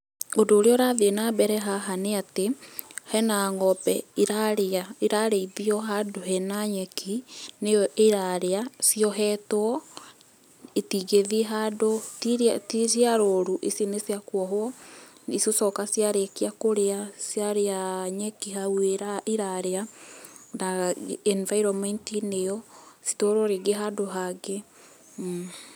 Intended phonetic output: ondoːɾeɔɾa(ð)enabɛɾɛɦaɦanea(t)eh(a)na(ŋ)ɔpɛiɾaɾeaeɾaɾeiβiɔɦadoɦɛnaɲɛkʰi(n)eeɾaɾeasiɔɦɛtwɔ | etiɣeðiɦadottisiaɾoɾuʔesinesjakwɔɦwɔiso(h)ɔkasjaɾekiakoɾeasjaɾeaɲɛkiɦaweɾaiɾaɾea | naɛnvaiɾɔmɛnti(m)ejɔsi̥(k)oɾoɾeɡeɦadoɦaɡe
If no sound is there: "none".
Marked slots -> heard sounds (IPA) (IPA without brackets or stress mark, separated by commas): ð, t, ɛ, ŋ, n, s, n, t